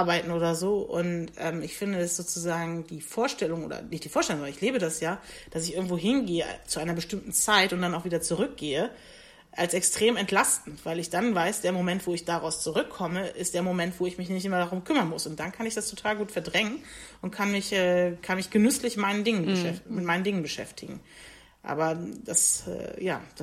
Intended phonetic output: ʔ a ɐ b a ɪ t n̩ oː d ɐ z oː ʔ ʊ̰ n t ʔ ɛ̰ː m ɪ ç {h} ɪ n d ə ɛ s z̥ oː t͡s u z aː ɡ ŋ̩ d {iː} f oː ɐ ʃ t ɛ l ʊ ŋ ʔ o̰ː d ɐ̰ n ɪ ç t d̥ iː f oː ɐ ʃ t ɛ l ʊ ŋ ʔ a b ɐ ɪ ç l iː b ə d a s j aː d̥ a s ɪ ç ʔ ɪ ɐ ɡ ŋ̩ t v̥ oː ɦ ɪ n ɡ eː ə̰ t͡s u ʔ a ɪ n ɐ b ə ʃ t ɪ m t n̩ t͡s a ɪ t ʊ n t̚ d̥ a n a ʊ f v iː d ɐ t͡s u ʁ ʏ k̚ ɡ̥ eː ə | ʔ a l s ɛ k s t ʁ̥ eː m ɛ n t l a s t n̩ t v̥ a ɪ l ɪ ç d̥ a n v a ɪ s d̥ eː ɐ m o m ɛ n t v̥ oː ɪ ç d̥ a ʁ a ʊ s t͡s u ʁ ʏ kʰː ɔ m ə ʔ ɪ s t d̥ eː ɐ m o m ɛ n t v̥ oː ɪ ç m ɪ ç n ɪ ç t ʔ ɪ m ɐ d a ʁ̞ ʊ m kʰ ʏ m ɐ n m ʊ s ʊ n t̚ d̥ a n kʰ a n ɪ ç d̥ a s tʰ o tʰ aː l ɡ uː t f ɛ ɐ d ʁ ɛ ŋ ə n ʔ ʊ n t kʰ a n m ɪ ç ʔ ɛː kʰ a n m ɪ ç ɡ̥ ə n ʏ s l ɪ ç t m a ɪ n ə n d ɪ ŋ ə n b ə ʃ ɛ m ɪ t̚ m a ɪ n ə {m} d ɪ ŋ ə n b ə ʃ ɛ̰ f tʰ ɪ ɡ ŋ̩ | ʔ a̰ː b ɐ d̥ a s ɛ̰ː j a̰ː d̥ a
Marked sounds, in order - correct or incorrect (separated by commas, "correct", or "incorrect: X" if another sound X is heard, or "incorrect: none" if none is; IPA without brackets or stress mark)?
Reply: incorrect: f, correct, incorrect: n